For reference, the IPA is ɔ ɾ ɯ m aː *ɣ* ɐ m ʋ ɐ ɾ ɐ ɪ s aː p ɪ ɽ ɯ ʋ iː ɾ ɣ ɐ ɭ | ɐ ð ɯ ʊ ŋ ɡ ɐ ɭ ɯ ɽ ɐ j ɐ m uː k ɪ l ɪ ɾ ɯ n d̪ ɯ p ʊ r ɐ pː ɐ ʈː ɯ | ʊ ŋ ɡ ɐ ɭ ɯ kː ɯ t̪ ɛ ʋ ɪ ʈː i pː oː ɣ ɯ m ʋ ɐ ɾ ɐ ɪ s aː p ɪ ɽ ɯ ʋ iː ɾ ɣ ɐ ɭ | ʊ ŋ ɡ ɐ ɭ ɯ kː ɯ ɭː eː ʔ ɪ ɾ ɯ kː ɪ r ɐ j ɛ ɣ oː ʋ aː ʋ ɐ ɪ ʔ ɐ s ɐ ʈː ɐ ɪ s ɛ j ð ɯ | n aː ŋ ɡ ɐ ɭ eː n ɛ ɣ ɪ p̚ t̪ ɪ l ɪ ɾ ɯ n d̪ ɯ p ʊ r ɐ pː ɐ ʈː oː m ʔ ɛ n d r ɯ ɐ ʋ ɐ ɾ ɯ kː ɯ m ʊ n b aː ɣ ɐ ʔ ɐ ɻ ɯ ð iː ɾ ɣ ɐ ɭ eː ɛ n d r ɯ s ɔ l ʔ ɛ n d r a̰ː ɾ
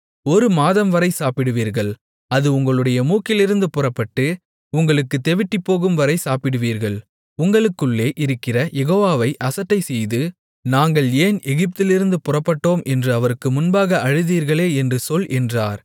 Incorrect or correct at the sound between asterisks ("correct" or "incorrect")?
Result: incorrect